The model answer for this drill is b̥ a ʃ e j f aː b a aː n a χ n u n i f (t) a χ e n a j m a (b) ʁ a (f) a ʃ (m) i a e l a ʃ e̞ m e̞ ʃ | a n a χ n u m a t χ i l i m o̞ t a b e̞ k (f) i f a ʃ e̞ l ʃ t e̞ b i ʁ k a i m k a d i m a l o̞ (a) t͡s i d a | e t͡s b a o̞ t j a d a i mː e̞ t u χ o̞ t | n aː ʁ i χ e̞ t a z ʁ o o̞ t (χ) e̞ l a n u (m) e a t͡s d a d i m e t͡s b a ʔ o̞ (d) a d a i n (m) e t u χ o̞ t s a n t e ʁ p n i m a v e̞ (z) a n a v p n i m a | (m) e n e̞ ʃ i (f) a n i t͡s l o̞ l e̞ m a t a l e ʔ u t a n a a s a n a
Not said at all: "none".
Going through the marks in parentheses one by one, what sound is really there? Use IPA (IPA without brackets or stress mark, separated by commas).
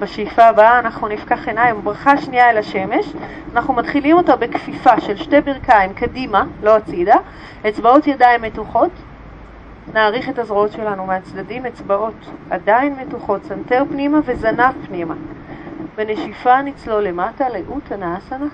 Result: k, b, χ, n, f, a, ʃ, m, t, m, z, b, f